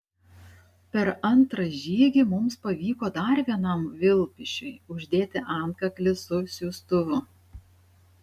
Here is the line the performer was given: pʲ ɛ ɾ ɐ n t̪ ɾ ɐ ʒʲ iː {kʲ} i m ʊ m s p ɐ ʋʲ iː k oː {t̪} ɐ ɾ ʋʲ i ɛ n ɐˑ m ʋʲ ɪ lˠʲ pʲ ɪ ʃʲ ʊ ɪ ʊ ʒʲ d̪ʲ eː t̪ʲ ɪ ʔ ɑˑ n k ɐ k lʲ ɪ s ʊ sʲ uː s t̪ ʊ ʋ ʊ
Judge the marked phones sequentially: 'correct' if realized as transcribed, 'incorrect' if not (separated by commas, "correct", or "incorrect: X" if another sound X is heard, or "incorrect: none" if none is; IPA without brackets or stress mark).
incorrect: ɡʲ, incorrect: d̪